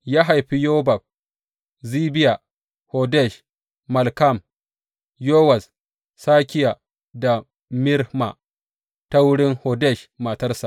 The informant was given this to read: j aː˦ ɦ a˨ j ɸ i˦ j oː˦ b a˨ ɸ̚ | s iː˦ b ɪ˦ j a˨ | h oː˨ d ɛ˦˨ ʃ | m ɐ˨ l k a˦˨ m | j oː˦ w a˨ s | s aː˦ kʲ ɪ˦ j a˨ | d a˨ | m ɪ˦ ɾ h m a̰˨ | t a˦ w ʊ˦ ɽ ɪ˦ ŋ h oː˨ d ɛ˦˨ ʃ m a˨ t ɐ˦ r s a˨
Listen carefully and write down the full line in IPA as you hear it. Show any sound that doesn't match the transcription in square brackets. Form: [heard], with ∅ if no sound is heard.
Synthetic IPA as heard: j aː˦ ɦ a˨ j ɸ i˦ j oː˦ b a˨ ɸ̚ | [z] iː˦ b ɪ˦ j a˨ | h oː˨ d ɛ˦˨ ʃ | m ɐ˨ l k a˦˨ m | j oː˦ w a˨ s | s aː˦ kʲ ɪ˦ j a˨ | d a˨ | m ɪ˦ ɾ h m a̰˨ | t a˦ w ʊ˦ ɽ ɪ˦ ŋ h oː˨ d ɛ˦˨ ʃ m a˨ t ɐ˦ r s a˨